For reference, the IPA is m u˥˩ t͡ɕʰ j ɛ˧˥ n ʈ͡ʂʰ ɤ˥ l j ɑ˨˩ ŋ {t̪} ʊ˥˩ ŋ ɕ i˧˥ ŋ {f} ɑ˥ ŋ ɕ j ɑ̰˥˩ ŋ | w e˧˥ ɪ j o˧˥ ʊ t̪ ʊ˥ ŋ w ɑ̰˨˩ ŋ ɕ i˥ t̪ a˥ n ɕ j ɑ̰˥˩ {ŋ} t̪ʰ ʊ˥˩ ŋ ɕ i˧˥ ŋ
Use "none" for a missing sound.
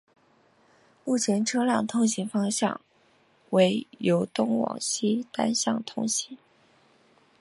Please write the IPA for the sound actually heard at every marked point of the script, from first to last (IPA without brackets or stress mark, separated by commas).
t̪ʰ, f, ŋ